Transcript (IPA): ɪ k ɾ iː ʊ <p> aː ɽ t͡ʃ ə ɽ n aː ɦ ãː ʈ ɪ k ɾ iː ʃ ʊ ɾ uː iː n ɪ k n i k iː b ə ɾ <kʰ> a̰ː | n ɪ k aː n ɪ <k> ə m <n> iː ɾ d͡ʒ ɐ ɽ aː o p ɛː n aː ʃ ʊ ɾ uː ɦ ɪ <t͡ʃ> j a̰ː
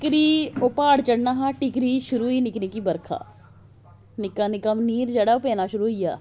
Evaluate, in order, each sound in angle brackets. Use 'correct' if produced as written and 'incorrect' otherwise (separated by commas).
correct, correct, correct, correct, incorrect